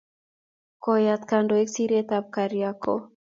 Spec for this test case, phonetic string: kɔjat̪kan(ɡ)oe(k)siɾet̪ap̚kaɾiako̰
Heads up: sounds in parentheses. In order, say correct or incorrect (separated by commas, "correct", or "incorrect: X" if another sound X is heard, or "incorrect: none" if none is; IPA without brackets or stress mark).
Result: incorrect: d, correct